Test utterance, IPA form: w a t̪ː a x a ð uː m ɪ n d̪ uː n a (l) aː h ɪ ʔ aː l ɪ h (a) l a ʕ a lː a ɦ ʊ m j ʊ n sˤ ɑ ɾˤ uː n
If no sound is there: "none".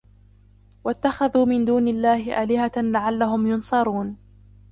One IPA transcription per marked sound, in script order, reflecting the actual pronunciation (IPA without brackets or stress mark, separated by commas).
lː, a